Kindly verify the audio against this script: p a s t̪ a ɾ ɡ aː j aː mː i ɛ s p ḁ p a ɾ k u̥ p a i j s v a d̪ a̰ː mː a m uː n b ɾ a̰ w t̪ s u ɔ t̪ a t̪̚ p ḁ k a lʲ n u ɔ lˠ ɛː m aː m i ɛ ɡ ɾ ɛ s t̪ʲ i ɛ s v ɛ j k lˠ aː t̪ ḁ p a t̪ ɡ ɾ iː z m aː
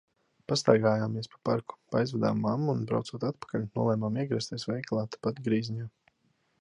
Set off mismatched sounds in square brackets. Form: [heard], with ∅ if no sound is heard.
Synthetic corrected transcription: p a s t̪ a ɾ ɡ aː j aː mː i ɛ s p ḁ p a ɾ k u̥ p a [a] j [z] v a d̪ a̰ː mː a m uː n b ɾ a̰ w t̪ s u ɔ t̪ a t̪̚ p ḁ k a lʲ n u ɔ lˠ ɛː m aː m i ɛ ɡ ɾ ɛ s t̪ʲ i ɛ s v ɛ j k lˠ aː t̪ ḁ p a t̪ ɡ ɾ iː z [ɲ] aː